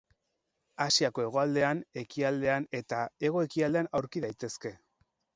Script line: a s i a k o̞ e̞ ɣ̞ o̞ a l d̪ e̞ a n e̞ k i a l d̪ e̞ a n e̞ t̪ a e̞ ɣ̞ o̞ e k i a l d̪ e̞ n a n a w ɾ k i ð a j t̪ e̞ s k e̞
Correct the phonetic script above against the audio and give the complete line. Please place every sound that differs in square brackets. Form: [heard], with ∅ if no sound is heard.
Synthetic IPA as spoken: a s i a k o̞ e̞ ɣ̞ o̞ a l d̪ e̞ a n e̞ k i a l d̪ e̞ a n e̞ t̪ a e̞ ɣ̞ o̞ e k i a l d̪ e̞ [∅] a n a w ɾ k i ð a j t̪ e̞ s k e̞

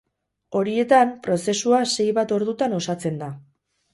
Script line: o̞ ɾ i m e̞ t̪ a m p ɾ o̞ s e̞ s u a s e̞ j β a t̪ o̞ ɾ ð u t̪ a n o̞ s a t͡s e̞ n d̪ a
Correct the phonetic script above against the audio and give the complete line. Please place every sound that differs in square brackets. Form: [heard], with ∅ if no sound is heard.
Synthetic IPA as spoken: o̞ ɾ i [∅] e̞ t̪ a m p ɾ o̞ s e̞ s u a s e̞ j β a t̪ o̞ ɾ ð u t̪ a n o̞ s a t͡s e̞ n d̪ a

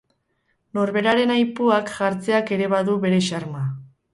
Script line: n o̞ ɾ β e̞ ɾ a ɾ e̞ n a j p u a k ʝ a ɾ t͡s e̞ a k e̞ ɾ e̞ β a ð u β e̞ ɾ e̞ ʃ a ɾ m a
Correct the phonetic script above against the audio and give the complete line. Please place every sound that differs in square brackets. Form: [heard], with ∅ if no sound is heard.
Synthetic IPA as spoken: n o̞ ɾ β e̞ ɾ a ɾ e̞ n a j p u a k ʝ a ɾ t͡s e̞ a k e̞ ɾ e̞ β a ð u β e̞ ɾ e̞ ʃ a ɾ m a

